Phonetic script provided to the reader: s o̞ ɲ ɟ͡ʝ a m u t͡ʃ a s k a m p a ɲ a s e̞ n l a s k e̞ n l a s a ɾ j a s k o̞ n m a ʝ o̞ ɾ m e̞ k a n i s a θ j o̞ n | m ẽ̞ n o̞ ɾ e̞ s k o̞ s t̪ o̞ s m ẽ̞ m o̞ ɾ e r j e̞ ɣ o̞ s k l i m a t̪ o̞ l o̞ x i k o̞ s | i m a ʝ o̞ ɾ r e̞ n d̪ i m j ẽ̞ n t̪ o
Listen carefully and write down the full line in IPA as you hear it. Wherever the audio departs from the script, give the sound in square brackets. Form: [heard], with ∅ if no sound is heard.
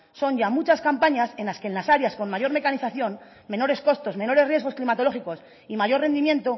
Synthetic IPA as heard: s o̞ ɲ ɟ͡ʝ a m u t͡ʃ a s k a m p a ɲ a s e̞ n l a s k e̞ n l a s a ɾ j a s k o̞ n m a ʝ o̞ ɾ m e̞ k a n i [θ] a θ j o̞ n | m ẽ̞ n o̞ ɾ e̞ s k o̞ s t̪ o̞ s m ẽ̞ [n] o̞ ɾ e r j e̞ ɣ o̞ s k l i m a t̪ o̞ l o̞ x i k o̞ s | i m a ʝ o̞ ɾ r e̞ n d̪ i m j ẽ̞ n t̪ o